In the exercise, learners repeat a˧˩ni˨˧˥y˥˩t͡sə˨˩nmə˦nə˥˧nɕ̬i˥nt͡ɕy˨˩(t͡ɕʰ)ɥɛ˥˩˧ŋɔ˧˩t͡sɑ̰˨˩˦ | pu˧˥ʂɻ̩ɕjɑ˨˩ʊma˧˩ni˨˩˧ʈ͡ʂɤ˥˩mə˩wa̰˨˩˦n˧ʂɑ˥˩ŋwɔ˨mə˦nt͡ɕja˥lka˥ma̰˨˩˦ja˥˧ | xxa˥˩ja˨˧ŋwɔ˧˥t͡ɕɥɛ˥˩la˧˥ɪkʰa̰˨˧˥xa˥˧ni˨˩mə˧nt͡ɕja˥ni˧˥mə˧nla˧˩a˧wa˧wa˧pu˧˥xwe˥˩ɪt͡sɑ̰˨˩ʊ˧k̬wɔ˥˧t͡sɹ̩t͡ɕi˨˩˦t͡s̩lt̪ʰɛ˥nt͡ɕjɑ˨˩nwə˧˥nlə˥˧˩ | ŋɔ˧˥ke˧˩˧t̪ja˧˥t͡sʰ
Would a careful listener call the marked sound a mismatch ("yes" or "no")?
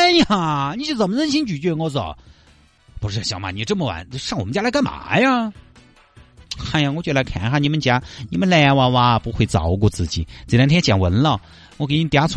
yes